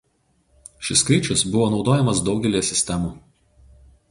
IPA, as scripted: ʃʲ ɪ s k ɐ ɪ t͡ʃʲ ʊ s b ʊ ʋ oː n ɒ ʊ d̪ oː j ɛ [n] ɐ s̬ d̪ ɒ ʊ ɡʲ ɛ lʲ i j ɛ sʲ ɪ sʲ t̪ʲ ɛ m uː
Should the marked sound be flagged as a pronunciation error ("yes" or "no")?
yes